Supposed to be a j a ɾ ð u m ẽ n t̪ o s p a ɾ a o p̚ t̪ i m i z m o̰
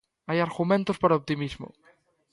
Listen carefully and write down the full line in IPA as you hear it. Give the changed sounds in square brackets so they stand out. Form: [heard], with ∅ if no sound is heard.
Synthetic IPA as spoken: a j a ɾ [ɣ] u m ẽ n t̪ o s p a ɾ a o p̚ t̪ i m i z m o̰